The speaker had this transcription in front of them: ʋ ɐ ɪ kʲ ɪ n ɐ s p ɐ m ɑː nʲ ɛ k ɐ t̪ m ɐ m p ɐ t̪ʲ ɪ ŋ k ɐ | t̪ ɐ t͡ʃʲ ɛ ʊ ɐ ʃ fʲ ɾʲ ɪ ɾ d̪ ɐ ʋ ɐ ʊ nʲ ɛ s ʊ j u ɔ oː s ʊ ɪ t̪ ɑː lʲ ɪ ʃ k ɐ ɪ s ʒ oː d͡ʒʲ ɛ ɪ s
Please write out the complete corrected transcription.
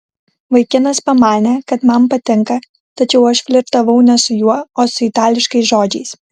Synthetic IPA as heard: ʋ ɐ ɪ kʲ ɪ n ɐ s p ɐ m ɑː nʲ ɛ k ɐ t̪ m ɐ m p ɐ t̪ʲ ɪ ŋ k ɐ | t̪ ɐ t͡ʃʲ ɛ ʊ ɐ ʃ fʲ lʲ ɪ ɾ t̪ ɐ ʋ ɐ ʊ nʲ ɛ s ʊ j u ɔ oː s ʊ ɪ t̪ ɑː lʲ ɪ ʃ k ɐ ɪ s ʒ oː d͡ʒʲ ɛ ɪ s